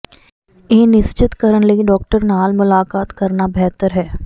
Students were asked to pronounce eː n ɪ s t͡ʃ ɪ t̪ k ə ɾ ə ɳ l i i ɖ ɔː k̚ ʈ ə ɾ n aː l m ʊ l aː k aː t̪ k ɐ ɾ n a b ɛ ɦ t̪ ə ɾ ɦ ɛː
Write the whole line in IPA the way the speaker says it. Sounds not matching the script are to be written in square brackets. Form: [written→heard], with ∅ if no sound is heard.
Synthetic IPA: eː n ɪ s t͡ʃ ɪ t̪ k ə ɾ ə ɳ l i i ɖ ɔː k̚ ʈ ə ɾ n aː l m ʊ l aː k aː t̪ k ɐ ɾ n a b ɛ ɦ t̪ ə ɾ ɦ ɛː